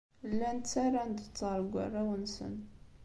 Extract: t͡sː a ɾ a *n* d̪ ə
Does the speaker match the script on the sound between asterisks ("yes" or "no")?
yes